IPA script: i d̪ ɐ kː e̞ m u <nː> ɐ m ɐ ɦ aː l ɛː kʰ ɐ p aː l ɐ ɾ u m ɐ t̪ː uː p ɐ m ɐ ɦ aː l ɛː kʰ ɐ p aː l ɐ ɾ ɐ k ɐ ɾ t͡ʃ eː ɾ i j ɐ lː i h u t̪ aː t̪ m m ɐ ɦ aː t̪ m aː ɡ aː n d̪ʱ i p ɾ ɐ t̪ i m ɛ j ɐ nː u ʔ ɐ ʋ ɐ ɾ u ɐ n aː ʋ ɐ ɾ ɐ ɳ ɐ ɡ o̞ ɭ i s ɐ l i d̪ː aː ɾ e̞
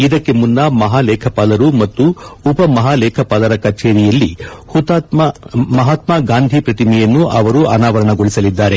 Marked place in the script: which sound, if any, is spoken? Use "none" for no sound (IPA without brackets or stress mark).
nː